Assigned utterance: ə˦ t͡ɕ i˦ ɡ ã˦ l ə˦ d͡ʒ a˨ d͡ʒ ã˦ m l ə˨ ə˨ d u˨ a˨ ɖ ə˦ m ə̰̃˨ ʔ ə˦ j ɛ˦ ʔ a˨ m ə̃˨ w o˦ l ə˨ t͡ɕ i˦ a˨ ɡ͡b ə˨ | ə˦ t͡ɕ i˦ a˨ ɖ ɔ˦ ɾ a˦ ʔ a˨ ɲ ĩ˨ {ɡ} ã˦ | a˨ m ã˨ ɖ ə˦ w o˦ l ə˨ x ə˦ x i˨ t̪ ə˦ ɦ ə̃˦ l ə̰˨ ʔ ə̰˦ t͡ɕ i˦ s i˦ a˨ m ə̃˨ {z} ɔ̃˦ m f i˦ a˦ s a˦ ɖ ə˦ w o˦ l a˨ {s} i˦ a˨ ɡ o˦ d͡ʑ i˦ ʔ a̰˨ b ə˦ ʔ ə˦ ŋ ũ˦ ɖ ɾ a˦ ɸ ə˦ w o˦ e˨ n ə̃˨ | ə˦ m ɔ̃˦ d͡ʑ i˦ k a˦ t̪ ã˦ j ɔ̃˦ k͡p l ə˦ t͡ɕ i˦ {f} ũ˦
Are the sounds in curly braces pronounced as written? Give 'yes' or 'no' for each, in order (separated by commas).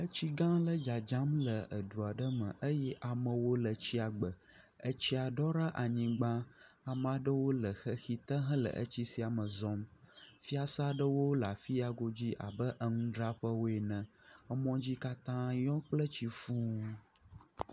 no, yes, no, yes